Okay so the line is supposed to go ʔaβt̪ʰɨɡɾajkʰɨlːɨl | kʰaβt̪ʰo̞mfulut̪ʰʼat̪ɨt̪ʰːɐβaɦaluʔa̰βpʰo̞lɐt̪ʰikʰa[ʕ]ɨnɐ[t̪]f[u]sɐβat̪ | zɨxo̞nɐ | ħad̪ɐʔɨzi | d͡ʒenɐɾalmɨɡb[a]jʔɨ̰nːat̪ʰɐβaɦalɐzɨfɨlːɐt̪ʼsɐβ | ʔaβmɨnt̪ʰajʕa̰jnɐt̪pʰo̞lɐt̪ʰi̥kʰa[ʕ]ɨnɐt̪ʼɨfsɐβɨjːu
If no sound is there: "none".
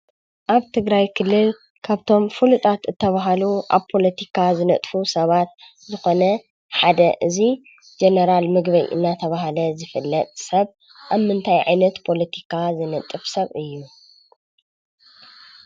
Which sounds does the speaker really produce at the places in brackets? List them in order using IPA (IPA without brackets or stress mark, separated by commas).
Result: z, t̪ʼ, u, ɐ, z